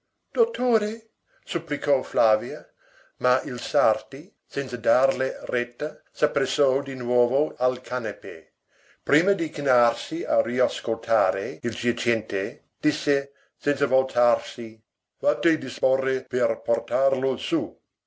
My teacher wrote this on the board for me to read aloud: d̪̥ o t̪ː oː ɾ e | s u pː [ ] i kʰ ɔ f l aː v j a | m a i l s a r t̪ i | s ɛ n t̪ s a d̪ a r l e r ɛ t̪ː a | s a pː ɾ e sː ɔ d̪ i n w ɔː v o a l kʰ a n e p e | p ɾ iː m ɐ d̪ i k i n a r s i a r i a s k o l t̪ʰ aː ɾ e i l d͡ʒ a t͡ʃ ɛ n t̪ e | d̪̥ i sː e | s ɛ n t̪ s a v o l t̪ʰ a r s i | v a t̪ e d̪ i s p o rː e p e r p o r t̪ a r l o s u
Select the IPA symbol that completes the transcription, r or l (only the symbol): l